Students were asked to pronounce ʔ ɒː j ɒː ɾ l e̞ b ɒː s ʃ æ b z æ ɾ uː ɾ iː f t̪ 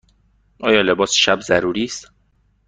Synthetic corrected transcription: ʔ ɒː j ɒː l e̞ b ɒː s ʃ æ b z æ ɾ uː ɾ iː s t̪